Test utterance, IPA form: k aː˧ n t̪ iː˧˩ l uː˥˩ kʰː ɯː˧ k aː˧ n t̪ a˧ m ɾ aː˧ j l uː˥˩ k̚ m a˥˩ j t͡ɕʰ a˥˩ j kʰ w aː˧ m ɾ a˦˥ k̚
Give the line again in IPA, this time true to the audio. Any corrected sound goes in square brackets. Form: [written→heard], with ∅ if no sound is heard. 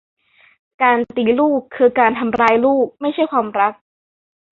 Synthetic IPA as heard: k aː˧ n t̪ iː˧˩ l uː˥˩ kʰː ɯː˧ k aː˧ n [t̪→t̪ʰ] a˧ m ɾ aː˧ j l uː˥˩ k̚ m a˥˩ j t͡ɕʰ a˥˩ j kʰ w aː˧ m ɾ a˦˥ k̚